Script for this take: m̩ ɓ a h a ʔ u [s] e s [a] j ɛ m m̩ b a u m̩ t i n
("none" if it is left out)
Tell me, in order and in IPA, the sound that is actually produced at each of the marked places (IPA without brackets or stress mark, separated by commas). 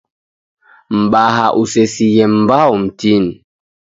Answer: s, i